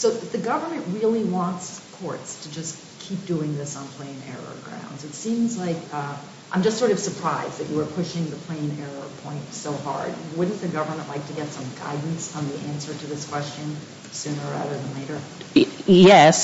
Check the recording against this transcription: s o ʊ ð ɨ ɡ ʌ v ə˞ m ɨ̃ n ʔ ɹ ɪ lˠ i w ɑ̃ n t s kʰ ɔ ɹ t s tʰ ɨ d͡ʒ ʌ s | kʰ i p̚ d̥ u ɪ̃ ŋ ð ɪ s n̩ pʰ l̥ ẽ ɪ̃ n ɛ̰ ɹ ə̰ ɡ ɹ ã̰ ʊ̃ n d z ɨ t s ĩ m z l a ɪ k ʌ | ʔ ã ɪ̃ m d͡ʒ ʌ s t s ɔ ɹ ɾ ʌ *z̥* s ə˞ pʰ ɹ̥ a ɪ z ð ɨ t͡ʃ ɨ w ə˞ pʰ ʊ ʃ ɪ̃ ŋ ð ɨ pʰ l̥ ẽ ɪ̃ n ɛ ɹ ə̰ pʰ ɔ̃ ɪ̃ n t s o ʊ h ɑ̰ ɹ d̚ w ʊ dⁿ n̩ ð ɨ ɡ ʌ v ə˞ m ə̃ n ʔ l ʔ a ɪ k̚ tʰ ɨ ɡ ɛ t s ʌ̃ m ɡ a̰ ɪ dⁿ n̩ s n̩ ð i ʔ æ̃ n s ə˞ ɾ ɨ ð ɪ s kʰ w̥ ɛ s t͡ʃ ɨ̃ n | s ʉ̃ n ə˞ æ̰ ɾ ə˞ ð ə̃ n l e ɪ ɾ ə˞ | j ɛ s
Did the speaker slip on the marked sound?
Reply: yes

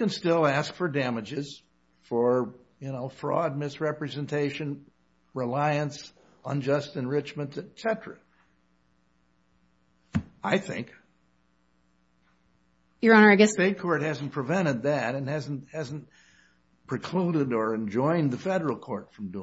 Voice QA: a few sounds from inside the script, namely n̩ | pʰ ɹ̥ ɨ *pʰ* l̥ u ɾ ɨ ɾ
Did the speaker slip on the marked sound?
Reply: yes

